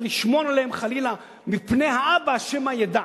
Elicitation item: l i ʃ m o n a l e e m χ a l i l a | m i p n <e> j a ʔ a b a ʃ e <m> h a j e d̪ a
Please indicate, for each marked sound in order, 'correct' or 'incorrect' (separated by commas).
correct, correct